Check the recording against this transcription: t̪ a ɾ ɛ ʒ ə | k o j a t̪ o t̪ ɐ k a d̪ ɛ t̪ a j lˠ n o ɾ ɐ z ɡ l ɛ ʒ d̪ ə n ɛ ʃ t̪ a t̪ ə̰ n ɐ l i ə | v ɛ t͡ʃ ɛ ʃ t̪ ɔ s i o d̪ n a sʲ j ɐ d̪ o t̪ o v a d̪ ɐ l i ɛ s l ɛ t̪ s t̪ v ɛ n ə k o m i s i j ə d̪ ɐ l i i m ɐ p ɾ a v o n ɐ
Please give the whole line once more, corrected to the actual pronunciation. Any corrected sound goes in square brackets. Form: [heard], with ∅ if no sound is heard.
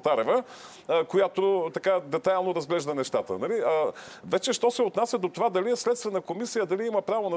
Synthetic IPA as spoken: t̪ a ɾ ɛ [v] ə | k o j a t̪ o t̪ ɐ k a d̪ ɛ t̪ a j lˠ n o ɾ ɐ z ɡ l ɛ ʒ d̪ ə n ɛ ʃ t̪ a t̪ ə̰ n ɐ l i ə | v ɛ t͡ʃ ɛ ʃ t̪ ɔ s [ɛ] o [t̪] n a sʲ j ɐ d̪ o t̪ o v a d̪ ɐ l i ɛ s l ɛ t̪ s t̪ v ɛ n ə k o m i s i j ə d̪ ɐ l i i m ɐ p ɾ a v o n ɐ